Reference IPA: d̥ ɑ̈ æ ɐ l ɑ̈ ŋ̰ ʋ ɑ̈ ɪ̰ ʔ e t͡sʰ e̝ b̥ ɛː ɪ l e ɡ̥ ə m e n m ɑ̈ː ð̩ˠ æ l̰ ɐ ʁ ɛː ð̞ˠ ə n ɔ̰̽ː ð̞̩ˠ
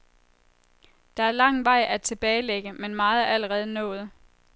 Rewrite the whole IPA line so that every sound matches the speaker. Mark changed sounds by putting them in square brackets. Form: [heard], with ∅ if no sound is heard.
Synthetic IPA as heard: d̥ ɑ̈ æ ɐ l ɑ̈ ŋ̰ ʋ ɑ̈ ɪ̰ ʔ [æ] t͡sʰ e̝ b̥ ɛː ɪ l e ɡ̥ ə m e n m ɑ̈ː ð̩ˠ æ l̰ [ə] ʁ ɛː ð̞ˠ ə n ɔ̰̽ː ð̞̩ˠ